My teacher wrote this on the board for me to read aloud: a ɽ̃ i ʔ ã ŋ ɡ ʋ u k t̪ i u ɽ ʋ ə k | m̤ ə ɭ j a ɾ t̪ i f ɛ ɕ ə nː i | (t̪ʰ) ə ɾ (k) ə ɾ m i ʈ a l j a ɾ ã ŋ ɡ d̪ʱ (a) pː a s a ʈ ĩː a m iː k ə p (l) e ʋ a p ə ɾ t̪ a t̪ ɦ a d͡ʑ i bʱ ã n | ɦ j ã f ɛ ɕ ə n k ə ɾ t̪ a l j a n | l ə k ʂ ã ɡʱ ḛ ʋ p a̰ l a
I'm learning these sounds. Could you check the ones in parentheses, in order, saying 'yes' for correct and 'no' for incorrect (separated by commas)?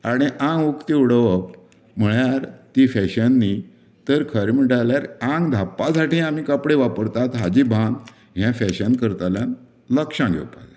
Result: no, no, yes, no